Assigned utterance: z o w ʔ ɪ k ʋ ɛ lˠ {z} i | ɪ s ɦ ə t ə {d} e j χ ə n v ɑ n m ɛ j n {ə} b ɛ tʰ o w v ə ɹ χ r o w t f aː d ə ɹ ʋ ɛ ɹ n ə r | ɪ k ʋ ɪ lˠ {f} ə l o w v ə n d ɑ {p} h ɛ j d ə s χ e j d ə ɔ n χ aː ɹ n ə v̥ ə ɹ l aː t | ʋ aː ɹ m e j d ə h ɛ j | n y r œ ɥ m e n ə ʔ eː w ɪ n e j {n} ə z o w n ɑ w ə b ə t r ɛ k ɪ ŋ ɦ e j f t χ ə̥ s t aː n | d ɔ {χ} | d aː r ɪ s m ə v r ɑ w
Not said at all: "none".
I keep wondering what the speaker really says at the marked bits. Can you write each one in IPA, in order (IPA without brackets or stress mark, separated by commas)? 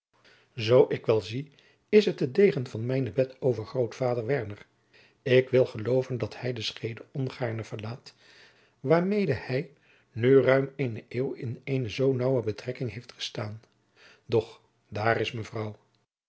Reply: z, d, ə, χ, t, n, χ